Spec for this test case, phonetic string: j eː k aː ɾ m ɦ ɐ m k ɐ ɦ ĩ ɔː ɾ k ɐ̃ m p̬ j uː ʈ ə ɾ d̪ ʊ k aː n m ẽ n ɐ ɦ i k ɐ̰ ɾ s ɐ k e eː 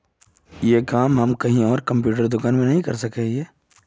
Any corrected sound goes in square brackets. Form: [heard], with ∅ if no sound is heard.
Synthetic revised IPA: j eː k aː [∅] m ɦ ɐ m k ɐ ɦ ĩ ɔː ɾ k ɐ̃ m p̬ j uː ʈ ə ɾ d̪ ʊ k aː n m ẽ n ɐ ɦ [ĩ] k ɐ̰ ɾ s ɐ k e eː